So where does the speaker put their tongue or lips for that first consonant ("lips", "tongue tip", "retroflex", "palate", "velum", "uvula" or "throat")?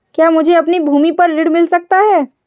velum